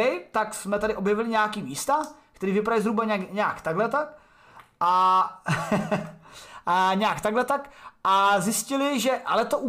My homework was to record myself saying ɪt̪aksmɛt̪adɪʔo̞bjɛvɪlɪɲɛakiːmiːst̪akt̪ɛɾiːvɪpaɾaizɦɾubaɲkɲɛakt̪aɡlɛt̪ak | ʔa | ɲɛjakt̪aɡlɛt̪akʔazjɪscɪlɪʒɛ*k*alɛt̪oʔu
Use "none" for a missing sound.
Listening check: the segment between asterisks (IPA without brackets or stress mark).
ʔ